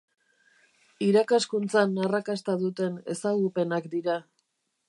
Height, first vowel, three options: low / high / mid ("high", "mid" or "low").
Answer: high